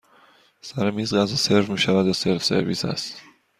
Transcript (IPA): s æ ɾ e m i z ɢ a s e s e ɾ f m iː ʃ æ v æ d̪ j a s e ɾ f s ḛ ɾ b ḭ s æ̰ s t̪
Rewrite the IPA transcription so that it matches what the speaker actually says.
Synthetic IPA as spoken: s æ ɾ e m i z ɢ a z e s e ɾ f m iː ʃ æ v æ d̪ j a s e ɾ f s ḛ ɾ v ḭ s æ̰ s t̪